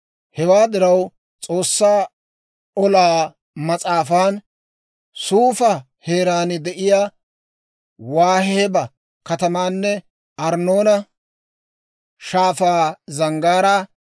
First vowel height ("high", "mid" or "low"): mid